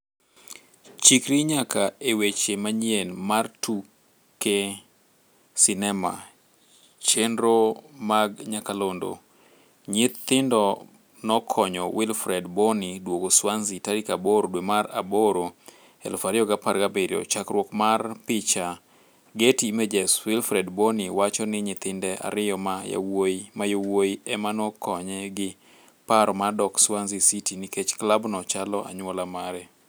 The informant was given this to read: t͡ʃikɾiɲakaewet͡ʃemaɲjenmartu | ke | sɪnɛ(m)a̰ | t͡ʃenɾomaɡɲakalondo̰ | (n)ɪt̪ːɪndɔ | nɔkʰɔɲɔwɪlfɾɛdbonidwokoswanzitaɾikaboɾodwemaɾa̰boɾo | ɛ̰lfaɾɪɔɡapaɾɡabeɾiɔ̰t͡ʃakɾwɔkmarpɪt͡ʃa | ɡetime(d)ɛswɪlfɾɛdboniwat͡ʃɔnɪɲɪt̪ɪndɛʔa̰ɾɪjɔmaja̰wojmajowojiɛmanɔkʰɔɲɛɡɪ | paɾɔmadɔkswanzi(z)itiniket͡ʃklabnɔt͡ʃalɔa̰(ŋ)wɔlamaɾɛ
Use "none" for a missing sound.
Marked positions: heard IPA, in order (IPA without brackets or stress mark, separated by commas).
m, ɲ, d͡ʒ, s, ɲ